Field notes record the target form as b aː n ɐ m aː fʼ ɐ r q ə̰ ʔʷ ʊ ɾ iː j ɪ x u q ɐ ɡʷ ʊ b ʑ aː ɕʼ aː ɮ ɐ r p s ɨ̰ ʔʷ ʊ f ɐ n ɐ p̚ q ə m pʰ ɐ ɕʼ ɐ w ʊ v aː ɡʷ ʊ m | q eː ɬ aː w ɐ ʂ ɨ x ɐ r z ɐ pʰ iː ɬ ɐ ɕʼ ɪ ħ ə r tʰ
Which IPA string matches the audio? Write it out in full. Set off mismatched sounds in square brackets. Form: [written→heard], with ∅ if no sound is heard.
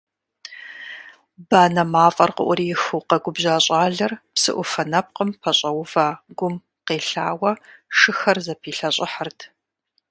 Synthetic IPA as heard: b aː n ɐ m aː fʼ ɐ r q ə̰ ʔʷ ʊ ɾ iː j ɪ x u q ɐ ɡʷ ʊ b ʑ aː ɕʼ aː ɮ ɐ r p s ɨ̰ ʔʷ ʊ f ɐ n ɐ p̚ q ə m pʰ ɐ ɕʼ ɐ w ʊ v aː ɡʷ ʊ m | q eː ɬ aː w ɐ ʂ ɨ x ɐ r z ɐ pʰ iː ɬ ɐ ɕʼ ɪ ħ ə r tʰ